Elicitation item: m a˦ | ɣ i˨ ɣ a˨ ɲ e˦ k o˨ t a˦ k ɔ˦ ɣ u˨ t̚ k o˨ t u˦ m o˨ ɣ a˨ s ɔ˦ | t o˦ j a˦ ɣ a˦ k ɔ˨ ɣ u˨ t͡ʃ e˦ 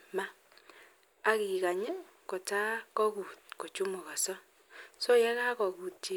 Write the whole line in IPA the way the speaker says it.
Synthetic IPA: m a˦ | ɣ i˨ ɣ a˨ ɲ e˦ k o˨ t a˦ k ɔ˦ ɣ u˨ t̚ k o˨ t͡ʃ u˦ m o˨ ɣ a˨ s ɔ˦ | s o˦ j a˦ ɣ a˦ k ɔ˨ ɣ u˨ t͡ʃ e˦